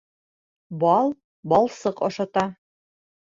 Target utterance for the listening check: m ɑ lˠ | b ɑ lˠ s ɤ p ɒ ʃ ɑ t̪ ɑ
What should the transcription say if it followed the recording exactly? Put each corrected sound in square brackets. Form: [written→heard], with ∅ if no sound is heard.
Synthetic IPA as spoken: [m→b] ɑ lˠ | b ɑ lˠ s ɤ [p→q] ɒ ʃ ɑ t̪ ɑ